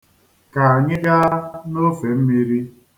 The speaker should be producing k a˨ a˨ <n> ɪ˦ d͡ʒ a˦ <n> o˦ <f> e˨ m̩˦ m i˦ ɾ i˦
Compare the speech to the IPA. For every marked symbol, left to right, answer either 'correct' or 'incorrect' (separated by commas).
incorrect, correct, correct